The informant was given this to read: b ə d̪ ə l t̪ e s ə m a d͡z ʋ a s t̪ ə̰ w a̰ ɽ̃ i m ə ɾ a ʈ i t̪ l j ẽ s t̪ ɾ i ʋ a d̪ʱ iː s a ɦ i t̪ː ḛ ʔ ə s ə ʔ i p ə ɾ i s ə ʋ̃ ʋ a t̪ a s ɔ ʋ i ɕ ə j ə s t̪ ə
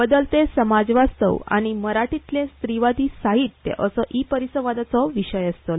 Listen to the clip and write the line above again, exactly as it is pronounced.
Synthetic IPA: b ə d̪ ə l t̪ e s ə m a d͡z ʋ a s t̪ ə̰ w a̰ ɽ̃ i m ə ɾ a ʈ i t̪ l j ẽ s t̪ ɾ i ʋ a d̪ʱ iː s a ɦ i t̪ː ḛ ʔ ə s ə ʔ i p ə ɾ i s ə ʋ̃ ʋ a d̪ a t͡s ɔ ʋ i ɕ ə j ə s t̪ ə